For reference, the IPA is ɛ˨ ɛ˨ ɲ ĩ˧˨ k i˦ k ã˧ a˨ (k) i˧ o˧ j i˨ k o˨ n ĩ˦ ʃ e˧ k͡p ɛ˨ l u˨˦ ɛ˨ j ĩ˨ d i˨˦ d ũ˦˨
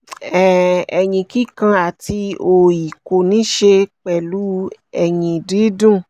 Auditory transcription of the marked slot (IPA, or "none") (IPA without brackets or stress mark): t